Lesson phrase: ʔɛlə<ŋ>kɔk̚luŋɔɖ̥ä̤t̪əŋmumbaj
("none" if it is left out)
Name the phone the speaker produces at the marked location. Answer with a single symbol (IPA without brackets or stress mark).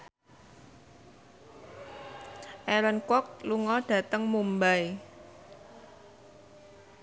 n